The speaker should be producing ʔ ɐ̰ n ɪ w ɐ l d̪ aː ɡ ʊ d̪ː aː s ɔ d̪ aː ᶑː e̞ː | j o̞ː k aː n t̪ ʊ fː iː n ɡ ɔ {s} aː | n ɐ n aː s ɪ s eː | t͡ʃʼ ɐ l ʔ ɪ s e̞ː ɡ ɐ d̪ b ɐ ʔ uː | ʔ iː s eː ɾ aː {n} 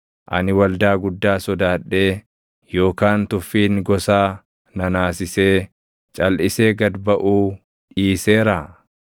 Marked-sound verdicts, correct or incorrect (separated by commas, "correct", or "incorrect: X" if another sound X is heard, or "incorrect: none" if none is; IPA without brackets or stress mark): correct, incorrect: none